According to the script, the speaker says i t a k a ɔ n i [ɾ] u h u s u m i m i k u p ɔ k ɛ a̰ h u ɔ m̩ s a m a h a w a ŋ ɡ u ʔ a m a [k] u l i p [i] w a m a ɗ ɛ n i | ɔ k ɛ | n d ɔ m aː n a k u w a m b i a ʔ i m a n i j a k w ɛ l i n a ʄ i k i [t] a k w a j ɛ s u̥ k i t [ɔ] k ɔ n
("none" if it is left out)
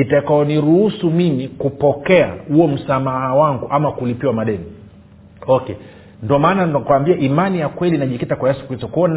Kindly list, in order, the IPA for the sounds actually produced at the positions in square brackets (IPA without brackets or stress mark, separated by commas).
ɾ, k, i, t, ɔ